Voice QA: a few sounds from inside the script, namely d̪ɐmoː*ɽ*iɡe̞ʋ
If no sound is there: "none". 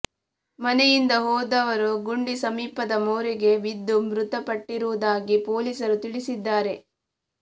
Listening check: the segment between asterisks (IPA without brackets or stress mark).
ɾ